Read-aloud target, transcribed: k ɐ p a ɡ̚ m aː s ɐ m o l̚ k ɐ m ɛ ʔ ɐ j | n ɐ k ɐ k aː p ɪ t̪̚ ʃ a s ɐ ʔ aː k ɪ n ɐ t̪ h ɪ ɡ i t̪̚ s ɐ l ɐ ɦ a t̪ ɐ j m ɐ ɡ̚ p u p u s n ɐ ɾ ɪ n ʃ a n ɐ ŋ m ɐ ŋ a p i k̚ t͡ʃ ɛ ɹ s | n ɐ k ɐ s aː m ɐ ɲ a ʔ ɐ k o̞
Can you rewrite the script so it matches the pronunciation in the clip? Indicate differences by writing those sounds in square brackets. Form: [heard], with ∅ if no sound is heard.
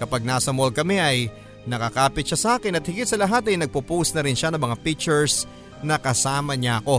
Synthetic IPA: k ɐ p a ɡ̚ [n] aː s ɐ m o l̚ k ɐ m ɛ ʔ ɐ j | n ɐ k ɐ k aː p ɪ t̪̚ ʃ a s ɐ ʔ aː k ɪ n ɐ t̪ h ɪ ɡ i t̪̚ s ɐ l ɐ ɦ a t̪ ɐ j [n] ɐ ɡ̚ p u p u s n ɐ ɾ ɪ n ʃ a n ɐ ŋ m ɐ ŋ a p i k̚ t͡ʃ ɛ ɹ s | n ɐ k ɐ s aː m ɐ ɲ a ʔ ɐ k o̞